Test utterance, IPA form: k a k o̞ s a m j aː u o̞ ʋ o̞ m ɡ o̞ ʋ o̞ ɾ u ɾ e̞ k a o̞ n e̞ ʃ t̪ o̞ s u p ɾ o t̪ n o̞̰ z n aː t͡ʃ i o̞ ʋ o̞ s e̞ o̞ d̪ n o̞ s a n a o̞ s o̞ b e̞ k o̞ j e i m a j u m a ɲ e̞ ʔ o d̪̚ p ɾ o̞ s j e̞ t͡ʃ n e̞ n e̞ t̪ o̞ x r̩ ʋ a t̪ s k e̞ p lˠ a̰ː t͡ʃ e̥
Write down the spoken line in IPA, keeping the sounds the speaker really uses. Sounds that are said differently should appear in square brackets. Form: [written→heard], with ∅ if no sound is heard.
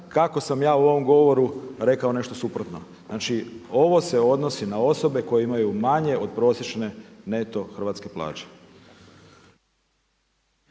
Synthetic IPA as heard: k a k o̞ s a m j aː u o̞ ʋ o̞ m ɡ o̞ ʋ o̞ ɾ u ɾ e̞ k a o̞ n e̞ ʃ t̪ o̞ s u p ɾ o t̪ n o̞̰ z n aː t͡ʃ i o̞ ʋ o̞ s e̞ o̞ d̪ n o̞ s [a→i] n a o̞ s o̞ b e̞ k o̞ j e i m a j u m a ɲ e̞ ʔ o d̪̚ p ɾ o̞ s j e̞ t͡ʃ n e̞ n e̞ t̪ o̞ x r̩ ʋ a t̪ s k e̞ p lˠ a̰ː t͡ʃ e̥

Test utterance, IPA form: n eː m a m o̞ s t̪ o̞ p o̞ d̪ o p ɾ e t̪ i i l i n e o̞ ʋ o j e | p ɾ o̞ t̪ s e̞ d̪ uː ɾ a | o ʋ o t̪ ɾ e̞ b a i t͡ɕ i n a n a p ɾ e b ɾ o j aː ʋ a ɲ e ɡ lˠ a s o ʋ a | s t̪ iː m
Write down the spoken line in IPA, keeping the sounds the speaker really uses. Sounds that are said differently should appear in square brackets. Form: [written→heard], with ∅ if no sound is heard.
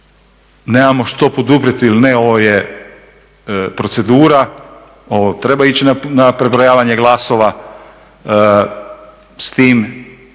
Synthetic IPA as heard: n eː m a m o̞ [s→ʃ] t̪ o̞ p o̞ d̪ [o→u] p ɾ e t̪ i i l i n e o̞ ʋ o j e | p ɾ o̞ t̪ s e̞ d̪ uː ɾ a | o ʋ o t̪ ɾ e̞ b a i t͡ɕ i n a n a p ɾ e b ɾ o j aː ʋ a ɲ e ɡ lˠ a s o ʋ a | s t̪ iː m

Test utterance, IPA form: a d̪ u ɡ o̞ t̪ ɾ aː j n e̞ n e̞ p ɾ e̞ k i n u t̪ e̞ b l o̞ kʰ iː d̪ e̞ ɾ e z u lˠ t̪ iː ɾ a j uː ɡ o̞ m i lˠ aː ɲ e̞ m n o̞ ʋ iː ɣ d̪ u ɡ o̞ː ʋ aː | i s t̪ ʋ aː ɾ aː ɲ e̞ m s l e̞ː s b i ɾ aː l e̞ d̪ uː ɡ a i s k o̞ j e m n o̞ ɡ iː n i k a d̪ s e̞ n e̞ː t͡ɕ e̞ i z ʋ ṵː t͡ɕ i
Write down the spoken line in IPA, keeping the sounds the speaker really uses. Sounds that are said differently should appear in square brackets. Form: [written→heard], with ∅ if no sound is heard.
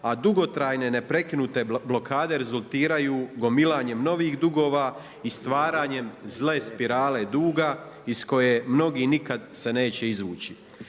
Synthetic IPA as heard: a d̪ u ɡ o̞ t̪ ɾ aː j n e̞ n e̞ p ɾ e̞ k i n u t̪ e̞ b l o̞ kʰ [iː→aː] d̪ e̞ ɾ e z u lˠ t̪ iː ɾ a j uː ɡ o̞ m i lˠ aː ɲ e̞ m n o̞ ʋ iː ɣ d̪ u ɡ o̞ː ʋ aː | i s t̪ ʋ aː ɾ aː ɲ e̞ m [s→z] l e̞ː s [b→p] i ɾ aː l e̞ d̪ uː ɡ a i s k o̞ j e m n o̞ ɡ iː n i k a d̪ s e̞ n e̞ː t͡ɕ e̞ i z ʋ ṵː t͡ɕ i

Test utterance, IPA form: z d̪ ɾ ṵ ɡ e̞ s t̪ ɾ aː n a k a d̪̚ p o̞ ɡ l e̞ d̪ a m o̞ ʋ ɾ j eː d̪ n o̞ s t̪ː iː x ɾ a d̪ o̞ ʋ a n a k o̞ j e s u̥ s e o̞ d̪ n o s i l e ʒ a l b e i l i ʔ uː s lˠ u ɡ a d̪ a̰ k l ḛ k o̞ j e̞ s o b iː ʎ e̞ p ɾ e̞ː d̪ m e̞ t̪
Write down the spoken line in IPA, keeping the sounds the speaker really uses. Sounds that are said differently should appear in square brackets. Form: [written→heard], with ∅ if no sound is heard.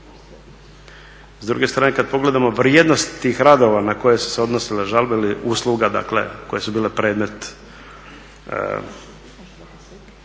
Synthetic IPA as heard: z d̪ ɾ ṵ ɡ e̞ s t̪ ɾ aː n [a→e] k a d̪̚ p o̞ ɡ l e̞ d̪ a m o̞ ʋ ɾ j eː d̪ n o̞ s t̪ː iː x ɾ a d̪ o̞ ʋ a n a k o̞ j e s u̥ s e o̞ d̪ n o s i l e ʒ a l b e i l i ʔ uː s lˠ u ɡ a d̪ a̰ k l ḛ k o̞ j e̞ s [o→u] b iː [ʎ→l] e̞ p ɾ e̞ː d̪ m e̞ t̪

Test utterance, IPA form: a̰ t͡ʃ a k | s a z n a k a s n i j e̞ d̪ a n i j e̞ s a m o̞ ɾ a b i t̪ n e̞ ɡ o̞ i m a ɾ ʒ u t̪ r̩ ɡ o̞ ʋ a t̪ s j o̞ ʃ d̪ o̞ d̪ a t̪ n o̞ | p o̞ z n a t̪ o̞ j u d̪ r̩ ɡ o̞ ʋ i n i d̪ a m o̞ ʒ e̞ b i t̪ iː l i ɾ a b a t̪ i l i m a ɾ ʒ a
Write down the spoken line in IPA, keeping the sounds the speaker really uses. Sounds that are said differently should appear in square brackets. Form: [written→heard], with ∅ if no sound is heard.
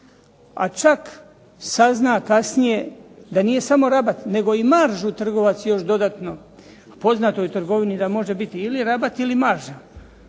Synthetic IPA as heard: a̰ t͡ʃ a k | s a z n a k a s n i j e̞ d̪ a n i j e̞ s a m o̞ ɾ a b [i→a] t̪ n e̞ ɡ o̞ i m a ɾ ʒ u t̪ r̩ ɡ o̞ ʋ a t̪ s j o̞ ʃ d̪ o̞ d̪ a t̪ n o̞ | p o̞ z n a t̪ o̞ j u [d̪→t̪] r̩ ɡ o̞ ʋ i n i d̪ a m o̞ ʒ e̞ b i t̪ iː l i ɾ a b a t̪ i l i m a ɾ ʒ a

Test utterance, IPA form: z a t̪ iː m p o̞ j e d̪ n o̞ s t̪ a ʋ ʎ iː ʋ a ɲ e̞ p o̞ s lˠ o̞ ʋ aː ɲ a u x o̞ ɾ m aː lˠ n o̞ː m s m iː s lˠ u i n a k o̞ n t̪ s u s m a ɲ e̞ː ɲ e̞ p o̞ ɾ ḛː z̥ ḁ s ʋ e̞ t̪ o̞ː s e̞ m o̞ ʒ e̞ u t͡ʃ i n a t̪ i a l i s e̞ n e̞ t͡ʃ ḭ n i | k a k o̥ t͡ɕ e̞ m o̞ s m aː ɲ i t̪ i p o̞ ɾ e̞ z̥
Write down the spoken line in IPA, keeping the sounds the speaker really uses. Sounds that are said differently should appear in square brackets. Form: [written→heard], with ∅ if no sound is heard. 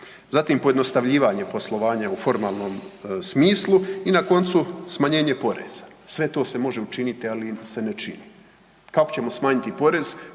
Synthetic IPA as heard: z a t̪ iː m p o̞ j e d̪ n o̞ s t̪ a ʋ ʎ iː ʋ a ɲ e̞ p o̞ s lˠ o̞ ʋ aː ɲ a u [x→f] o̞ ɾ m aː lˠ n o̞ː m s m iː s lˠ u i n a k o̞ n t̪ s u s m a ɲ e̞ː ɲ e̞ p o̞ ɾ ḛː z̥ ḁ s ʋ e̞ t̪ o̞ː s e̞ m o̞ ʒ e̞ u t͡ʃ i n [a→i] t̪ i a l i s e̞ n e̞ t͡ʃ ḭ n i | k a k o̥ t͡ɕ e̞ m o̞ s m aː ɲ i t̪ i p o̞ ɾ e̞ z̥

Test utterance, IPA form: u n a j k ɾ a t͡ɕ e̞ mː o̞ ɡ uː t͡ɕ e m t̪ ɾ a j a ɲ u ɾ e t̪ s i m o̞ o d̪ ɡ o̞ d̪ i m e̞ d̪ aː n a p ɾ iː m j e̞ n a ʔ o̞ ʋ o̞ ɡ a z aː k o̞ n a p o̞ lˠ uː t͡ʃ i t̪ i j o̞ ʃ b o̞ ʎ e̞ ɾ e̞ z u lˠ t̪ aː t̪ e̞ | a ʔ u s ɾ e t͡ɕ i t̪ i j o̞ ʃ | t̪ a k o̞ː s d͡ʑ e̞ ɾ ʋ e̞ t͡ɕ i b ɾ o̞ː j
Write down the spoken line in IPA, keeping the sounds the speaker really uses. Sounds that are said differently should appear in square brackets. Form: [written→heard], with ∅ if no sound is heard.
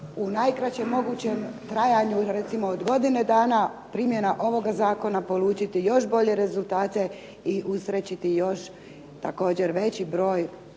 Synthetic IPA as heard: u n a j k ɾ a t͡ɕ e̞ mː o̞ ɡ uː t͡ɕ e m t̪ ɾ a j a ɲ u ɾ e t̪ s i m o̞ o d̪ ɡ o̞ d̪ i [m→n] e̞ d̪ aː n a p ɾ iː m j e̞ n a ʔ o̞ ʋ o̞ ɡ a z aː k o̞ n a p o̞ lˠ uː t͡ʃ i t̪ i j o̞ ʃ b o̞ ʎ e̞ ɾ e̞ z u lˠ t̪ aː t̪ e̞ | [a→i] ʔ u s ɾ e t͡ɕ i t̪ i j o̞ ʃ | t̪ a k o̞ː [s→∅] d͡ʑ e̞ ɾ ʋ e̞ t͡ɕ i b ɾ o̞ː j

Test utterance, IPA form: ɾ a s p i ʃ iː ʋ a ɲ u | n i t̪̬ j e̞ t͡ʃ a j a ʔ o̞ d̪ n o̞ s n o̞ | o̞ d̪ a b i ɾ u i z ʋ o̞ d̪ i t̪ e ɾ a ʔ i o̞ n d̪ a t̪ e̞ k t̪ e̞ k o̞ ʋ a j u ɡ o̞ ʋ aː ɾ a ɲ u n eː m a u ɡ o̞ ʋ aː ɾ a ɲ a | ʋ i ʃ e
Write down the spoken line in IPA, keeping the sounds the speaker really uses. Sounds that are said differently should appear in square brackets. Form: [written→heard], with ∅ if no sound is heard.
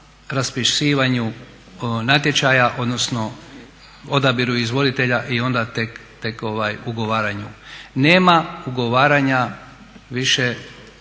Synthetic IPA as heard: ɾ a s p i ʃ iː ʋ a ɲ u | n [i→a] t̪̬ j e̞ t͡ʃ a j a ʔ o̞ d̪ n o̞ s n o̞ | o̞ d̪ a b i ɾ u i z ʋ o̞ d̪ i t̪ e [ɾ→ʎ] a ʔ i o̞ n d̪ a t̪ e̞ k t̪ e̞ k o̞ ʋ a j u ɡ o̞ ʋ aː ɾ a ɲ u n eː m a u ɡ o̞ ʋ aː ɾ a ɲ a | ʋ i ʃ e

